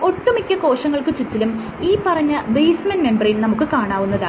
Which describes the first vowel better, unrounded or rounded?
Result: rounded